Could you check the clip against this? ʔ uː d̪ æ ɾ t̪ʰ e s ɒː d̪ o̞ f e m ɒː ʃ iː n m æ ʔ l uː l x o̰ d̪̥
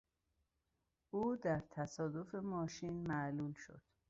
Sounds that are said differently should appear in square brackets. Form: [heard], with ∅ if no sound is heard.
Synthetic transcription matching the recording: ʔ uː d̪ æ ɾ t̪ʰ [æ] s ɒː d̪ o̞ f e m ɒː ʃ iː n m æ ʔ l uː l [ʃ] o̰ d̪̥